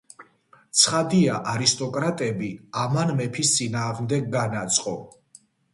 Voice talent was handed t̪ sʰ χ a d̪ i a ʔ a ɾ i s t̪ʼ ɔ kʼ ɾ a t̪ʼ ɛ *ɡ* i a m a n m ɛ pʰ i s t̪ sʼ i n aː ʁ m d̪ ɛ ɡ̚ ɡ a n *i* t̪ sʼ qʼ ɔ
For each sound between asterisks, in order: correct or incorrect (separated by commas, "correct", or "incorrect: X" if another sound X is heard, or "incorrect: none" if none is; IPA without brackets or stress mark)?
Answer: incorrect: b, incorrect: a